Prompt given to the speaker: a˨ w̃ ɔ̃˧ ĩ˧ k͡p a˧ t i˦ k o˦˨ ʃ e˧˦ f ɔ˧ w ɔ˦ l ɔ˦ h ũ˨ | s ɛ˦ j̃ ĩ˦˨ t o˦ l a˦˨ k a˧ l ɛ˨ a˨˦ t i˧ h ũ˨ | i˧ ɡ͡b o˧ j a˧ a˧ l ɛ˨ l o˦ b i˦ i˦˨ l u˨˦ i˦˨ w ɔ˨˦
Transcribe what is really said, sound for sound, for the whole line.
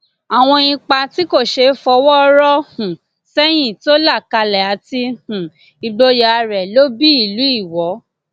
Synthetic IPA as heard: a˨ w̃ ɔ̃˧ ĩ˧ k͡p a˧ t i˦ k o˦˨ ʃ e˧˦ f ɔ˧ w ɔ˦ ɾ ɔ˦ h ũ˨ | s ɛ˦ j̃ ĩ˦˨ t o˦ l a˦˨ k a˧ l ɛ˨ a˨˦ t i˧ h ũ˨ | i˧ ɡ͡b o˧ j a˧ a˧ ɾ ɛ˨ l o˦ b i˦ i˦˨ l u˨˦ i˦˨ w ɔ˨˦